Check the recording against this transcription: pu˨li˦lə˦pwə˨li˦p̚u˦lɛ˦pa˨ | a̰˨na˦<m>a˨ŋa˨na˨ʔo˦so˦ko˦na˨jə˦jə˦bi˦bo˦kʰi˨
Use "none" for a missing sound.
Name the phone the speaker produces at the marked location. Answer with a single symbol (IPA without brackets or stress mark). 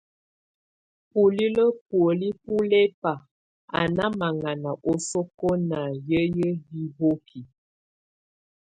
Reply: m